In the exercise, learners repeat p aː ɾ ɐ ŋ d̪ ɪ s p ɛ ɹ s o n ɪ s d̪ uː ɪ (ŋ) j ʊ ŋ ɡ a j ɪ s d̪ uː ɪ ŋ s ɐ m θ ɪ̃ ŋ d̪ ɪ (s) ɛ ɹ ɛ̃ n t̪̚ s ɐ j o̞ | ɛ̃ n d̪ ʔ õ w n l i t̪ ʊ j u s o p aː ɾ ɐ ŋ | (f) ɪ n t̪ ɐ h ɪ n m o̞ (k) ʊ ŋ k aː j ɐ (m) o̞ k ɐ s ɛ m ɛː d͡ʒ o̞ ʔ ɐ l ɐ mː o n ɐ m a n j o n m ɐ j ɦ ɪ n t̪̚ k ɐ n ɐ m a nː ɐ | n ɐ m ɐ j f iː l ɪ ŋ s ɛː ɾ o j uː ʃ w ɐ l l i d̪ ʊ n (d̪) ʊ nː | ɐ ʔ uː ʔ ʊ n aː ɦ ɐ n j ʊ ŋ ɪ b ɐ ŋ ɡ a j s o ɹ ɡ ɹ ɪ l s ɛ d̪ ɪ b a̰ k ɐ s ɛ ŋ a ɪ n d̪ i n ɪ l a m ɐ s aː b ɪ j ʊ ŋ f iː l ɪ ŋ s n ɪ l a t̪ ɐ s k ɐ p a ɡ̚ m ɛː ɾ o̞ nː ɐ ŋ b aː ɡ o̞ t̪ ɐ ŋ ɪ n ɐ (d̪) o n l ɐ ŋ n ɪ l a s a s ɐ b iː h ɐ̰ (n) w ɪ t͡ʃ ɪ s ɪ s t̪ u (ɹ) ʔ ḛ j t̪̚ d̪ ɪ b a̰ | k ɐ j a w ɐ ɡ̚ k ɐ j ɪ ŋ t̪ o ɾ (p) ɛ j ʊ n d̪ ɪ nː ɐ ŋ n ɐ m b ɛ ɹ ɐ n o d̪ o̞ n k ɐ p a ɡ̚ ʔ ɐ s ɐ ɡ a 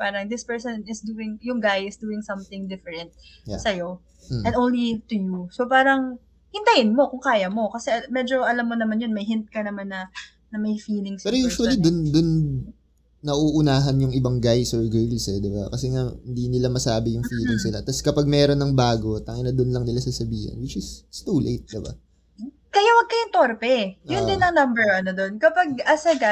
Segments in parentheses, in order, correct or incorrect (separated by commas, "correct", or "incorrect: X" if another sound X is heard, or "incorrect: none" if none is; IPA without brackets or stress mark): correct, incorrect: f, incorrect: h, correct, correct, correct, correct, correct, incorrect: l, correct